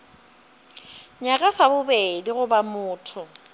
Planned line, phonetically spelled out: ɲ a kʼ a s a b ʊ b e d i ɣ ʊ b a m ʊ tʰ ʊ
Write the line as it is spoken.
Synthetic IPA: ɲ a kʼ a s a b ʊ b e d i ɣ ʊ b a m ʊː tʰ ʊ